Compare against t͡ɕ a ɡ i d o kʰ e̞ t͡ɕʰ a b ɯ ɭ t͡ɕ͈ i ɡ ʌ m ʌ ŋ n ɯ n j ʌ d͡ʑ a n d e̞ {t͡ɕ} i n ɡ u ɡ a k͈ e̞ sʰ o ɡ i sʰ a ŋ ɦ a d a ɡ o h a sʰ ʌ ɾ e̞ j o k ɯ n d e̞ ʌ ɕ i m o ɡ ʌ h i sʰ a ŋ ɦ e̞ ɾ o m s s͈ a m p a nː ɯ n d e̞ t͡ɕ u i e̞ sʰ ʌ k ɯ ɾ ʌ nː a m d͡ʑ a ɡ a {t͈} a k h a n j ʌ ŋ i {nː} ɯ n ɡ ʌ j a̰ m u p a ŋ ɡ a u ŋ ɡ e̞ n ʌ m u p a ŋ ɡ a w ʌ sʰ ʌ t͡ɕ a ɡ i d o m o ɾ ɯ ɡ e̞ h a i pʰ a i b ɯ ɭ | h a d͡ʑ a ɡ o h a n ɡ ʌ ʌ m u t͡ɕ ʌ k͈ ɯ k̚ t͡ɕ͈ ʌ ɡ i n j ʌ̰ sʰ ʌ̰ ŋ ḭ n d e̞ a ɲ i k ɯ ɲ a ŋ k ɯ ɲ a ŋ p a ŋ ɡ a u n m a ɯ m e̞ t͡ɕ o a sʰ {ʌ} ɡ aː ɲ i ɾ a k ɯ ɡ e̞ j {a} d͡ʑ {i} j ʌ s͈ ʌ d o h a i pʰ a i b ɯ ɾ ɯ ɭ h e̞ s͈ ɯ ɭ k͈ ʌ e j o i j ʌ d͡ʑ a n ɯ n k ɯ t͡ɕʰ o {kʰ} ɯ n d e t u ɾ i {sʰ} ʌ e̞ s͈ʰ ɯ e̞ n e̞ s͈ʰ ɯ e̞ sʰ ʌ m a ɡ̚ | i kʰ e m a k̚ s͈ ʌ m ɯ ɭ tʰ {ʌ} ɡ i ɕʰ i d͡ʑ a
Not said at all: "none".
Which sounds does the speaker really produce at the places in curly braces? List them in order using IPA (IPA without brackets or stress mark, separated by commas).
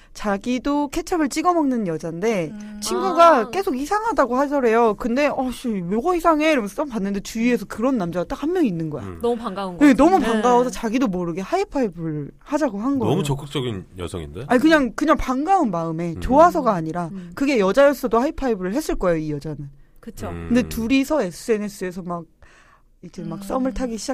t͡ɕʰ, t͈, nː, ʌ, ʌ, a, k, sʰ, a